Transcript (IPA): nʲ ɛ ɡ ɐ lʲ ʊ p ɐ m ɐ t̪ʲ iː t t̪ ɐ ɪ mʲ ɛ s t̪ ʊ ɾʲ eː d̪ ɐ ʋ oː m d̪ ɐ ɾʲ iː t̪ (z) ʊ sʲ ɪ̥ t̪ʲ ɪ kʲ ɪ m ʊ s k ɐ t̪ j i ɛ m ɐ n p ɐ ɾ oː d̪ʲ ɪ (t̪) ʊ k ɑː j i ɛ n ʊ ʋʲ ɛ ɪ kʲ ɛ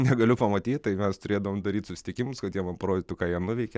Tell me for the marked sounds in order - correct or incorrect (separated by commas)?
incorrect, correct